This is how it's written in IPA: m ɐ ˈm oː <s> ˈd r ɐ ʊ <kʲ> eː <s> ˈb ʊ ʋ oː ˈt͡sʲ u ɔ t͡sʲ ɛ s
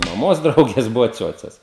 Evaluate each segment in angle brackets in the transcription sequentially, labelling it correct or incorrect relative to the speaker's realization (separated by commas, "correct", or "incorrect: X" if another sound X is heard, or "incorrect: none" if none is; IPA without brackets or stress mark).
correct, incorrect: ɡʲ, correct